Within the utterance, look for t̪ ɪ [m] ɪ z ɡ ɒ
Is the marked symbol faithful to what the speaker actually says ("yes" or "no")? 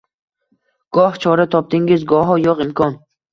no